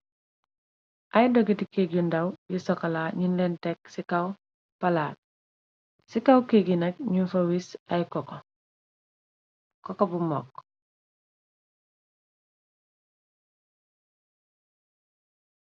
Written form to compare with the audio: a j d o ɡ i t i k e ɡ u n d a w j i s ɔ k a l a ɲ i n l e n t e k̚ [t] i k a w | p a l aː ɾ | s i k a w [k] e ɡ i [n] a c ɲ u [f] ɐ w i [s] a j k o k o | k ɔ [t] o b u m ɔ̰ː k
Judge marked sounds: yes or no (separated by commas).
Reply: no, yes, yes, yes, yes, no